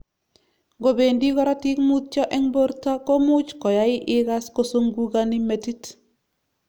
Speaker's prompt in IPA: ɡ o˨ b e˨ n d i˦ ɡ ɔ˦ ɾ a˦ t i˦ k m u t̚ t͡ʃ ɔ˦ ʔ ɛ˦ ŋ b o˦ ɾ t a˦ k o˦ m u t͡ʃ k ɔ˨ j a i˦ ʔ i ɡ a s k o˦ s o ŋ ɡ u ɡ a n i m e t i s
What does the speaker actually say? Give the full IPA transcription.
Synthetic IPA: ɡ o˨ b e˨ n d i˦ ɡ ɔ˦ ɾ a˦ t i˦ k m u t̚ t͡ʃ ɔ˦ ʔ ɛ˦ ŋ b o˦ ɾ t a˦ k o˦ m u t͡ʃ k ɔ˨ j a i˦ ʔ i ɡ a s k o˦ s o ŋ ɡ u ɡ a n i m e t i t